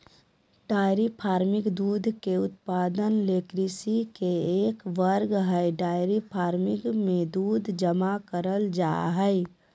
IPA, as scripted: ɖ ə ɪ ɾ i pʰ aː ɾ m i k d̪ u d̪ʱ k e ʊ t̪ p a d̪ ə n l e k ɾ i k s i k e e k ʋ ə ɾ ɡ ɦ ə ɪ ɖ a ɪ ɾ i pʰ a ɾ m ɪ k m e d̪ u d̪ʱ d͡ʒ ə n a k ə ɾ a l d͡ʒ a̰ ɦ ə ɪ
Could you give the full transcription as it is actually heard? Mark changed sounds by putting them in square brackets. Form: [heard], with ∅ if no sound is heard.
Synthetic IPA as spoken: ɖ [a] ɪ ɾ i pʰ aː ɾ m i k d̪ u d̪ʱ k e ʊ t̪ p a d̪ ə n l e k ɾ i [∅] s i k e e k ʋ ə ɾ ɡ ɦ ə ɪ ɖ a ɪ ɾ i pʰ a ɾ m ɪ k m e d̪ u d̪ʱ d͡ʒ ə [m] a k ə ɾ [ə] l d͡ʒ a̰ ɦ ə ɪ